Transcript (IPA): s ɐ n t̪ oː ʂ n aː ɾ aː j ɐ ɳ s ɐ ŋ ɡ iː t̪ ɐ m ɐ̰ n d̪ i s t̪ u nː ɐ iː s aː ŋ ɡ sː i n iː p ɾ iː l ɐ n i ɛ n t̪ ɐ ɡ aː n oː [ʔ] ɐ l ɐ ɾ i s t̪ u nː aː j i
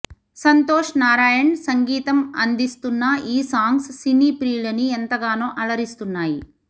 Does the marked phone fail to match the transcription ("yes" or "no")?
no